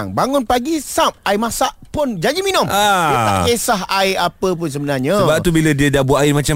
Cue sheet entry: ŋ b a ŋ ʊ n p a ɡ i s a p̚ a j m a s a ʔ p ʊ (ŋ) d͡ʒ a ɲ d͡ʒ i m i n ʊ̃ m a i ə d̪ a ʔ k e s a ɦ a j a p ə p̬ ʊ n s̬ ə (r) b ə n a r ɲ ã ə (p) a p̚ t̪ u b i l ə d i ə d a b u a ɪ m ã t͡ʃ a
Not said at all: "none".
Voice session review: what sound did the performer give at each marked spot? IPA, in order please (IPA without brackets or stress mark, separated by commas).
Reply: n, none, b